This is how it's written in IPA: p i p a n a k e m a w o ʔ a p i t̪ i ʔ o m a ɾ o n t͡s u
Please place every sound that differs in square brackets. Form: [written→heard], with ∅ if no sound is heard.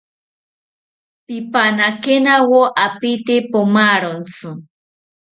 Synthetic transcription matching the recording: p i p a n a k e [m→n] a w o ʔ a p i t̪ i [ʔ→p] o m a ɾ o n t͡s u

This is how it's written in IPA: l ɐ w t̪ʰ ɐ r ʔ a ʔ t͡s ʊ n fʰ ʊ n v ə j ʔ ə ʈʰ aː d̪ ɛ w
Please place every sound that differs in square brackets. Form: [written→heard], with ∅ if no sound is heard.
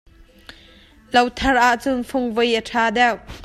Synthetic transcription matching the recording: l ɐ w t̪ʰ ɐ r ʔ a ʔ t͡s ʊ n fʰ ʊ [n→ŋ] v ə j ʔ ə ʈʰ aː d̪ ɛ w

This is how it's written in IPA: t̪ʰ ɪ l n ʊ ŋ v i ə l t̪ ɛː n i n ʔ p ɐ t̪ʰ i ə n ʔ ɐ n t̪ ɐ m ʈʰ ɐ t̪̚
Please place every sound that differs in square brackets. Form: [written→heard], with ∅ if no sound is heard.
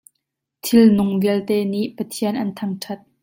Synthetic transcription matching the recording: t̪ʰ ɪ l n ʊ ŋ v i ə l t̪ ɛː n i [n→∅] ʔ p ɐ t̪ʰ i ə n ʔ ɐ n [t̪→t̪ʰ] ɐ [m→ŋ] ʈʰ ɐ t̪̚

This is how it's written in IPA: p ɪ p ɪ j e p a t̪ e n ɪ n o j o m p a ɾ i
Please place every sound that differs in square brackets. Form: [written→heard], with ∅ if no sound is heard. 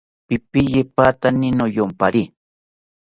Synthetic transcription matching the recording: p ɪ p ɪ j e p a t̪ [e→a] n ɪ n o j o m p a ɾ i

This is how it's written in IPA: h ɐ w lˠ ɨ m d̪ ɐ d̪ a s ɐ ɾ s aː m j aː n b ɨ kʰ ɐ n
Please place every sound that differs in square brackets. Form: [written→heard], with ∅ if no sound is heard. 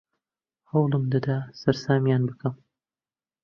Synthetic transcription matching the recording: h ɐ w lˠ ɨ m d̪ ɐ d̪ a s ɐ ɾ s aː m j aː n b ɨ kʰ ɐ [n→m]

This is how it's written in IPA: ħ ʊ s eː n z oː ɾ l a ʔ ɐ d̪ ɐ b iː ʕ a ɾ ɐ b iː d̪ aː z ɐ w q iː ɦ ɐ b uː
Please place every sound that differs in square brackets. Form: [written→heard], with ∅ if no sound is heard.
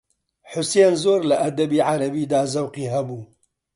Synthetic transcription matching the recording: ħ ʊ s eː n z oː ɾ l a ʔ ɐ d̪ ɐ b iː ʕ a ɾ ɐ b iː d̪ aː z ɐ w q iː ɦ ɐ b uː

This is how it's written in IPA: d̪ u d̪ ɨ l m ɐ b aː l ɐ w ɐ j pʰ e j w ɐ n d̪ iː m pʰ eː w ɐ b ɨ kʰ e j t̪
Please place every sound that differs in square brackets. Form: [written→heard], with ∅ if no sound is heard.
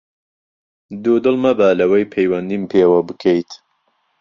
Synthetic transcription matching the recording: d̪ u d̪ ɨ l m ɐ b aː l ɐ w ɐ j pʰ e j w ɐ n d̪ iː m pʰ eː w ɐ b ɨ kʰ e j t̪

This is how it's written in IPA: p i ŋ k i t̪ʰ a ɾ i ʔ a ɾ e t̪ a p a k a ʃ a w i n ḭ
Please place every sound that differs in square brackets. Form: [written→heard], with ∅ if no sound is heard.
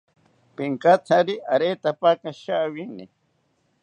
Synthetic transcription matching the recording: p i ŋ k [i→a] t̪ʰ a ɾ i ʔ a ɾ e t̪ a p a k a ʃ a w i n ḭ

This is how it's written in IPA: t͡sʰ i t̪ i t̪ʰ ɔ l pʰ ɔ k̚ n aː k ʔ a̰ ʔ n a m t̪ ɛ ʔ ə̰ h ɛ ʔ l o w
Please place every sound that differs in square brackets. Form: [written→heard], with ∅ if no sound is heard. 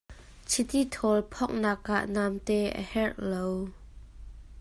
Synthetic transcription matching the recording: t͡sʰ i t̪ i t̪ʰ ɔ l pʰ ɔ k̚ n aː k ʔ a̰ ʔ n a m t̪ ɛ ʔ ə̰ h ɛ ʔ l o w

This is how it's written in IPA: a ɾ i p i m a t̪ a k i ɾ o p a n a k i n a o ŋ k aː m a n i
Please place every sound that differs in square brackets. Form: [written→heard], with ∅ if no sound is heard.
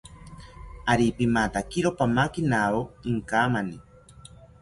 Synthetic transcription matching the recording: a ɾ i p i m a t̪ a k i ɾ o p a [n→m] a k i n a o ŋ k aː m a n i

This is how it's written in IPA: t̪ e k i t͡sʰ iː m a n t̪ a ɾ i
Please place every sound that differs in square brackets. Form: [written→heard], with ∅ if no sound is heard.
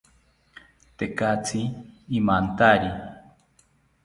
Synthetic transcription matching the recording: t̪ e k [i→a] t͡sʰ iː m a n t̪ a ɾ i

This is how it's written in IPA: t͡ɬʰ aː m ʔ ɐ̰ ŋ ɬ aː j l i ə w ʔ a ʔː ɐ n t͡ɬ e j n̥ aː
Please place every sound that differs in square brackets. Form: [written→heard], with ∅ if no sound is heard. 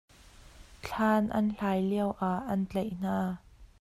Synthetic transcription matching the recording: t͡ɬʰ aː [m→n] ʔ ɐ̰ [ŋ→n] ɬ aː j l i ə w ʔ a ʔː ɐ n t͡ɬ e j n̥ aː

